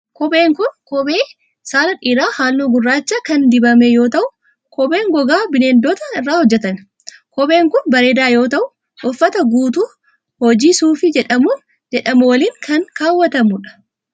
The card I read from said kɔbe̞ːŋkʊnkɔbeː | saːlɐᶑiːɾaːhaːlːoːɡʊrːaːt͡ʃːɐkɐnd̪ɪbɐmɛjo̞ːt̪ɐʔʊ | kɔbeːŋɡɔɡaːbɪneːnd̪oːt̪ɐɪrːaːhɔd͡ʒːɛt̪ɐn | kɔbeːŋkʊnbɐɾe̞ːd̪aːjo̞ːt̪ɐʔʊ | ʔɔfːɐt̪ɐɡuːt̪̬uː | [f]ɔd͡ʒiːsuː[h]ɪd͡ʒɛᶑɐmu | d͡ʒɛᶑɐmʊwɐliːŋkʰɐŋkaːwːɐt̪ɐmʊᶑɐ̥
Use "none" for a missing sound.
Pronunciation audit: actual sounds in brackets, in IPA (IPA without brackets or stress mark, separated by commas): h, f